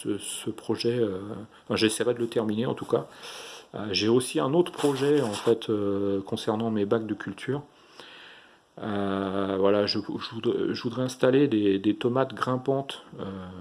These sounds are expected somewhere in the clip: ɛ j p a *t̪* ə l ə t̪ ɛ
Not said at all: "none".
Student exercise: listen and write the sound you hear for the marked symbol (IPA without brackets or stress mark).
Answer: d̪